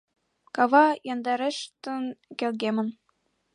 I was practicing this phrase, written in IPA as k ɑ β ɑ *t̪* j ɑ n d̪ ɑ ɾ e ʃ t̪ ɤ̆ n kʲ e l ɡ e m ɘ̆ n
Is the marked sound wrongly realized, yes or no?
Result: yes